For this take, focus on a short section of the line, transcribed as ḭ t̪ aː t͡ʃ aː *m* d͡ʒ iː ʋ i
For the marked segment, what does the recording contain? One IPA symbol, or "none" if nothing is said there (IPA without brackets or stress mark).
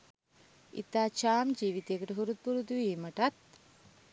m